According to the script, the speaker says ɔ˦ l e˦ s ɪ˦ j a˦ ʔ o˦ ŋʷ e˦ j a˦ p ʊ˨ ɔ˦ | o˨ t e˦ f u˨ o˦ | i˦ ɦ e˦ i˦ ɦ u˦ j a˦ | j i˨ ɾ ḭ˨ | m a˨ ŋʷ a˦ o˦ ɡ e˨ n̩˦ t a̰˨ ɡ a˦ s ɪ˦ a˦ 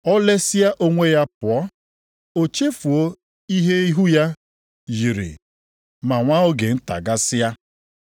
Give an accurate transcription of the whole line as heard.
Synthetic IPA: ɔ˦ l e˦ s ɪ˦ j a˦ ʔ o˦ ŋʷ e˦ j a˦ p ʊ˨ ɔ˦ | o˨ t͡ʃ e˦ f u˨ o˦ | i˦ ɦ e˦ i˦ ɦ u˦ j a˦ | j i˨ ɾ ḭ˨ | m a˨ ŋʷ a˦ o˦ ɡ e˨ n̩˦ t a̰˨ ɡ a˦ s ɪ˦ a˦